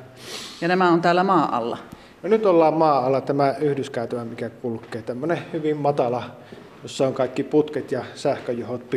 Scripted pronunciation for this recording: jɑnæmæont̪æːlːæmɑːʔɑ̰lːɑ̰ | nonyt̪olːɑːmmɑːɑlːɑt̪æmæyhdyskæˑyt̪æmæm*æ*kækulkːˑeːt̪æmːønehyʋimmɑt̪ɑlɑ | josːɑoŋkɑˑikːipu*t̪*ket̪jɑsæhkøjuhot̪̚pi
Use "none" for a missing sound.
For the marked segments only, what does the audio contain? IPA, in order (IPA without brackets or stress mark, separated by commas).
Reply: i, t̪